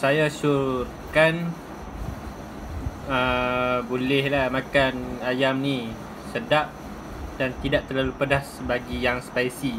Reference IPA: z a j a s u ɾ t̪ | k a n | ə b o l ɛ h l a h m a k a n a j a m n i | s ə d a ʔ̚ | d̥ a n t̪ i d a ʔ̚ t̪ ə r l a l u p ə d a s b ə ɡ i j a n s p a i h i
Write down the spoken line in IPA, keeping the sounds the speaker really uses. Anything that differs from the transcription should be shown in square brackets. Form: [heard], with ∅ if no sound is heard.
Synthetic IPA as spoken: [s] a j a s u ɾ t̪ | k a n | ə b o l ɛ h l a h m a k a n a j a m n i | s ə d a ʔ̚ | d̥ a n t̪ i d a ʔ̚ t̪ ə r l a l u p ə d a s b [a] ɡ i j a [ŋ] s p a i [s] i